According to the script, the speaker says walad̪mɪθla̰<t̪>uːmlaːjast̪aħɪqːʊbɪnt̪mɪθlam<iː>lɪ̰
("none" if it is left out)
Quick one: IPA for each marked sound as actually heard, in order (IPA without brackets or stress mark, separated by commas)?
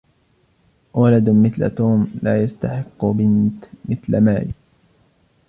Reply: t̪, aː